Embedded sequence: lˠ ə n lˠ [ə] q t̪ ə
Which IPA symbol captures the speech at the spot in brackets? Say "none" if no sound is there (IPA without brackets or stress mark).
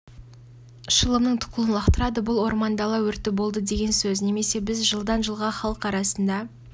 ɑ